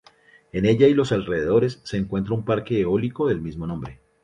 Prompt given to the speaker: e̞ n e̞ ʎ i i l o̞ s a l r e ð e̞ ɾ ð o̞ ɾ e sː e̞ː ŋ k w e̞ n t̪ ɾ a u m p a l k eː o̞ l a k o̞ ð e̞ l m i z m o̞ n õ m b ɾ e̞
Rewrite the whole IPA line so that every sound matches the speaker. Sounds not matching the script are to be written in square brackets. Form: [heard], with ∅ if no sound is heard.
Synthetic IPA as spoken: e̞ n e̞ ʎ [a] i l o̞ s a l r e ð e̞ [∅] ð o̞ ɾ e sː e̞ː ŋ k w e̞ n t̪ ɾ a u m p a [ɾ] k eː o̞ l [i] k o̞ ð e̞ l m i z m o̞ n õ m b ɾ e̞